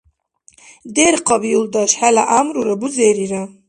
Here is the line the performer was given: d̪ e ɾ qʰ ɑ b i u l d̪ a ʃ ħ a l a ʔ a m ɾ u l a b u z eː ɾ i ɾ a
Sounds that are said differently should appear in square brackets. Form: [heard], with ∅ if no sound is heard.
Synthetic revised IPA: d̪ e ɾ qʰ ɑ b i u l d̪ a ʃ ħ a l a ʔ a m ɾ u [ɾ] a b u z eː ɾ i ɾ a